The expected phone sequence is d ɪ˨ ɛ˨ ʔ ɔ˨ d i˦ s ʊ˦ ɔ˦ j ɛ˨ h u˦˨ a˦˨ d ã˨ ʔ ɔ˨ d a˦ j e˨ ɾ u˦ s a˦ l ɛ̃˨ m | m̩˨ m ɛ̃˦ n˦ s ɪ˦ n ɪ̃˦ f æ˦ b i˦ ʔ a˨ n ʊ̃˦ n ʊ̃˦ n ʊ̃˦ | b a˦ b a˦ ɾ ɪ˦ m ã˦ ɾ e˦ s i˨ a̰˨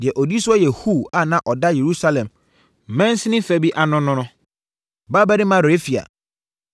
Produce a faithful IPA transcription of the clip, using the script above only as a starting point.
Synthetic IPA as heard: d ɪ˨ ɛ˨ ʔ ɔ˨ d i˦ s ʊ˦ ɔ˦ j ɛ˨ h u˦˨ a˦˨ n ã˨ ʔ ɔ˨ d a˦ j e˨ ɾ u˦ s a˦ l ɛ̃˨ m | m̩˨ m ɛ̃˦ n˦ s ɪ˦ n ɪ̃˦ f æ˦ b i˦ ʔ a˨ n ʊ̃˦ n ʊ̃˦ n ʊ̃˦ | b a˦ b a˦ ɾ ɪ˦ m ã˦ ɾ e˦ f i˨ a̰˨